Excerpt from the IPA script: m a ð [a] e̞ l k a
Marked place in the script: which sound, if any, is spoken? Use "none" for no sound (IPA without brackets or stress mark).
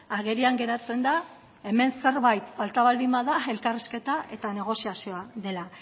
a